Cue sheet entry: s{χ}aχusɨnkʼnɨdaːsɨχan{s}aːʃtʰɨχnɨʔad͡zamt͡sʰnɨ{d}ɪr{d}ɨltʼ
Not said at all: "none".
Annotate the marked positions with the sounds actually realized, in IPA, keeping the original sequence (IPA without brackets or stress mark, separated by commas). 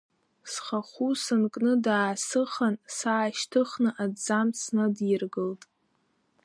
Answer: χ, s, d, ɡ